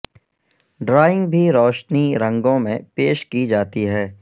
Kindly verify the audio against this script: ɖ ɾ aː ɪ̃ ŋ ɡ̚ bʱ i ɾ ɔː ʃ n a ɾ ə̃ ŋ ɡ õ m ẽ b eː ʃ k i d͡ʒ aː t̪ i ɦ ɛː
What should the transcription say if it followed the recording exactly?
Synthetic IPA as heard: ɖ ɾ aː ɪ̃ ŋ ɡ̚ bʱ i ɾ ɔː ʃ n i ɾ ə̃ ŋ ɡ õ m ẽ p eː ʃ k i d͡ʒ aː t̪ i ɦ ɛː